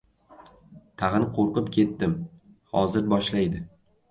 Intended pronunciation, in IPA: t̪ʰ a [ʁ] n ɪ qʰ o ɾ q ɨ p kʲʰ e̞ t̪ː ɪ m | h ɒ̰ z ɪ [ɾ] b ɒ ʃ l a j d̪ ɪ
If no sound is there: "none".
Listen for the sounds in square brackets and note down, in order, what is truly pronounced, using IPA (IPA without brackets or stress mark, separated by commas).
ʁ, ɾ